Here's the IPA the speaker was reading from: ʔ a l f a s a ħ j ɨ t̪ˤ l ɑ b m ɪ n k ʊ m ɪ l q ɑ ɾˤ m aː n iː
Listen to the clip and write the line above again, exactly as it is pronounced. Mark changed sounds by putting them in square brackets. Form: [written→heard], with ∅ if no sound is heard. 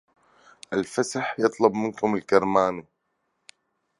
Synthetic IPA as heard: ʔ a l f a s a ħ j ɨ t̪ˤ l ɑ b m ɪ n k ʊ m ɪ l [q→k] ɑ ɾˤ m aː n [iː→i]